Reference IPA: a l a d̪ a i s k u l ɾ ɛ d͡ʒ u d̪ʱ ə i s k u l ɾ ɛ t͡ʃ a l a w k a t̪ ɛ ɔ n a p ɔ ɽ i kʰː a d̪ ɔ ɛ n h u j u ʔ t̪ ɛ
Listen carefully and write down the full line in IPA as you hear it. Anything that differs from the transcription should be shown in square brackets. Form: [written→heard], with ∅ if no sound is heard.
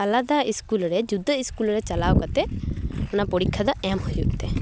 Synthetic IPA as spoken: a l a d̪ a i s k u l ɾ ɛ d͡ʒ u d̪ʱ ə i s k u l ɾ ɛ t͡ʃ a l a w k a t̪ ɛ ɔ n a p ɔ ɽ i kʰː a d̪ ɔ ɛ [n→m] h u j u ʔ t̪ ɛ